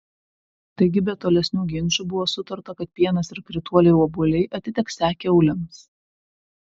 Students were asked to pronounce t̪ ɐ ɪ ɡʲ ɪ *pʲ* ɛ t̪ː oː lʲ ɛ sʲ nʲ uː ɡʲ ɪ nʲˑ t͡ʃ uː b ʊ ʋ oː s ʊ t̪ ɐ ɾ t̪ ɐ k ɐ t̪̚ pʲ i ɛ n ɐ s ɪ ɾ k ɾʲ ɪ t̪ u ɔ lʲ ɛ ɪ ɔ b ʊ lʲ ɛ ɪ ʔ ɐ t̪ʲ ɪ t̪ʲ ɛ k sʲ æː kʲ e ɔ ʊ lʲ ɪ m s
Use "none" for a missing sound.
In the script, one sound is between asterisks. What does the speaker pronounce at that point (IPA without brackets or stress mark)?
bʲ